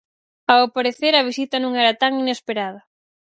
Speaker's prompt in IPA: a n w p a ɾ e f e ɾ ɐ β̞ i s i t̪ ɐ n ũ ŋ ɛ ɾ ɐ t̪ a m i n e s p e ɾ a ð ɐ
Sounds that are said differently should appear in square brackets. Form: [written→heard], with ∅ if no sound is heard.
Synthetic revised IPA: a [n→∅] w p a ɾ e [f→θ] e ɾ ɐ β̞ i s i t̪ ɐ n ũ ŋ ɛ ɾ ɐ t̪ a [m→ŋ] i n e s p e ɾ a ð ɐ